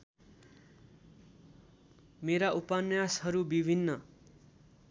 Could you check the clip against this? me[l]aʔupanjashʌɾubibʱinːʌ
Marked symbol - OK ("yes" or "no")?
no